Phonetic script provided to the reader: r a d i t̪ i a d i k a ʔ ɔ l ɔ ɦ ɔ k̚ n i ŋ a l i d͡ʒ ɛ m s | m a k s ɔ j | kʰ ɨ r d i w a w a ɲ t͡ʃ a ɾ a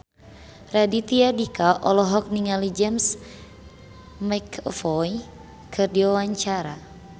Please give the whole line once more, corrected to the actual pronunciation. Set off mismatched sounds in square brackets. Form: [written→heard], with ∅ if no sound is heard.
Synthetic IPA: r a d i t̪ i a d i k a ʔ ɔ l ɔ ɦ ɔ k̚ n i ŋ a l i d͡ʒ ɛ m s | m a k [s→f] ɔ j | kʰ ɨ r d i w a w a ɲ t͡ʃ a ɾ a